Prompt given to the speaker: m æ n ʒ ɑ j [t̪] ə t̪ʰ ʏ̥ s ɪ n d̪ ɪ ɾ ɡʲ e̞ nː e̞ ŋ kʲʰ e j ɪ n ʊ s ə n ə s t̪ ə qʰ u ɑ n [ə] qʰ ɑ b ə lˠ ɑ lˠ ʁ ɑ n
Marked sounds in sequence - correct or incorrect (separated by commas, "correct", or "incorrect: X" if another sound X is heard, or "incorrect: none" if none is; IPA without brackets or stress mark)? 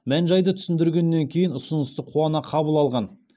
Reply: incorrect: d̪, incorrect: ɑ